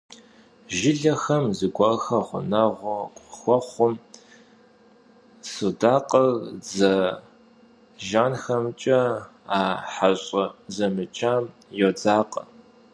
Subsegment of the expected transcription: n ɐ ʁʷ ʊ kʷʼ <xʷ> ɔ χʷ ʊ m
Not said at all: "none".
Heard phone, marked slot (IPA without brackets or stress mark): xʷ